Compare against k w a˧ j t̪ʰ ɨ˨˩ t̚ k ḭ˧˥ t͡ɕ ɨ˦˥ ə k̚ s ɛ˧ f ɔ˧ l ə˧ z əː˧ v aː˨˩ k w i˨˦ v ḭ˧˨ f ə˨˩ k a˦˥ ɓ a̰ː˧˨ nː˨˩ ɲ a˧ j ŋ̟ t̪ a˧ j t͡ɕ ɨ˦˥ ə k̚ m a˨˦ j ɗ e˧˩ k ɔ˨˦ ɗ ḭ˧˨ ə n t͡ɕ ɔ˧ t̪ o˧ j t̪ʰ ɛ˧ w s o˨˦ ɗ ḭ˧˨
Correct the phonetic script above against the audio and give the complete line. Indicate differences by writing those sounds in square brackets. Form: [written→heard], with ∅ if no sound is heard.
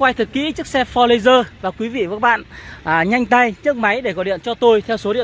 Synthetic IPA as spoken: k w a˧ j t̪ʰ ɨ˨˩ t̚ k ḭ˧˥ t͡ɕ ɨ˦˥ ə k̚ s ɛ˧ f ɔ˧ l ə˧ z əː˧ v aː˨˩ k w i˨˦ v ḭ˧˨ [f→v] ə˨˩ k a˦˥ ɓ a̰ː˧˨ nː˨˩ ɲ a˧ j ŋ̟ t̪ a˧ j t͡ɕ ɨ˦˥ ə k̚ m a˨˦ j ɗ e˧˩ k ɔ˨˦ ɗ ḭ˧˨ ə n t͡ɕ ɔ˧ t̪ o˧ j t̪ʰ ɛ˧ w s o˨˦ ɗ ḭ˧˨